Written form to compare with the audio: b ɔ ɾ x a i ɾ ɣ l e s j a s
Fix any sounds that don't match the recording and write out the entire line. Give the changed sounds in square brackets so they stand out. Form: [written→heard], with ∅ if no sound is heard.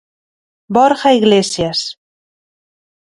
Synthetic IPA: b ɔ ɾ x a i [ɾ→∅] ɣ l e s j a s